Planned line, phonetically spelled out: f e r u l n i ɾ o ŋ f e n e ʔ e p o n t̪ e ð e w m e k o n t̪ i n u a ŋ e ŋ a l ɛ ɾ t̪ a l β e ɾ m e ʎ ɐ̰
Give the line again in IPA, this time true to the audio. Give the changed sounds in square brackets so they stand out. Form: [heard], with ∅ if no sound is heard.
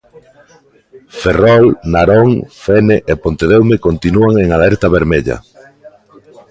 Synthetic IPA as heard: f e r [ɔ] l n [a] ɾ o ŋ f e n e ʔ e p o n t̪ e ð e w m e k o n t̪ i n u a ŋ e ŋ a l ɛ ɾ t̪ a [∅] β e ɾ m e ʎ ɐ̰